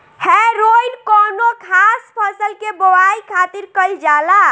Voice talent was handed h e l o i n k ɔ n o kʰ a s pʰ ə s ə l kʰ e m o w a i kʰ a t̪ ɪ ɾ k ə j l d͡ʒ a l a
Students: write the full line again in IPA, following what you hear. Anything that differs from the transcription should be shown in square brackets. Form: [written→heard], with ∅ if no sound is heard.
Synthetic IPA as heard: h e [l→ɾ] o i n k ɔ n o kʰ a s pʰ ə s ə l [kʰ→k] e [m→b] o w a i kʰ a t̪ [ɪ→i] ɾ k ə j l d͡ʒ a l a